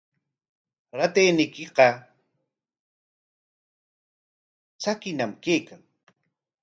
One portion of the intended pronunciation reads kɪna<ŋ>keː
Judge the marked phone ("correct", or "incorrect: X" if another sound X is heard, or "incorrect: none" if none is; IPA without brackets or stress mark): incorrect: m